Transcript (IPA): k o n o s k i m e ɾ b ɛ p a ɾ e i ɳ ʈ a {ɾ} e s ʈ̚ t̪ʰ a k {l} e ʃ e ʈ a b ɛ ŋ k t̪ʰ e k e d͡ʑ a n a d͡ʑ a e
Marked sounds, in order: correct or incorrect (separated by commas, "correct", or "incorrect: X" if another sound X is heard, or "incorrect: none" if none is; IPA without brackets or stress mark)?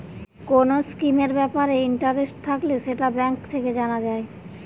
correct, correct